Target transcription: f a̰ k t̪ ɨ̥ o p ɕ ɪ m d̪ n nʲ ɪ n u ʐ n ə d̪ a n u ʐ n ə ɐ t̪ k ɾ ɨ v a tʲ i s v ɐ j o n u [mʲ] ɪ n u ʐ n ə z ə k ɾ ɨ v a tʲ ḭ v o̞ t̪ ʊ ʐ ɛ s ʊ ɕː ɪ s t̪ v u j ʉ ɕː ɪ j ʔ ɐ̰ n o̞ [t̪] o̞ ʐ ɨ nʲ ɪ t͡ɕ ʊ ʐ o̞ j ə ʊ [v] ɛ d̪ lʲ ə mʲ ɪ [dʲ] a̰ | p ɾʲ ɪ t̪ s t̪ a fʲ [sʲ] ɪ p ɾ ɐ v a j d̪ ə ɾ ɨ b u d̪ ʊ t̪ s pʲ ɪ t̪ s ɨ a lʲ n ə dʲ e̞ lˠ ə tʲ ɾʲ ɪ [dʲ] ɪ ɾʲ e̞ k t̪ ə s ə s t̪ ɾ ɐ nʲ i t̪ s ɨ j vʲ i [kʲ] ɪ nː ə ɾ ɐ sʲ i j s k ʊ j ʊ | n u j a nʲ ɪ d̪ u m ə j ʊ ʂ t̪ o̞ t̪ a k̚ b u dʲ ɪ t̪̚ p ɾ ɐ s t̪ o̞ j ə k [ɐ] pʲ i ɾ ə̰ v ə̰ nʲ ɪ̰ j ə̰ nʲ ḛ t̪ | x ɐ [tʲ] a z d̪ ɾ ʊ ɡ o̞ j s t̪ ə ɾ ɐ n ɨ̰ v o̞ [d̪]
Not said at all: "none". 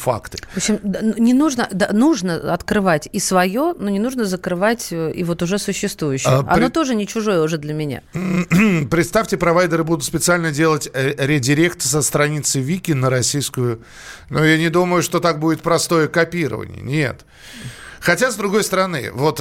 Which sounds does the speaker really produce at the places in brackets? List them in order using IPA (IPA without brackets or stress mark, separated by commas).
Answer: nʲ, t̪, ʐ, nʲ, tʲ, dʲ, kʲ, ɐ, tʲ, t̪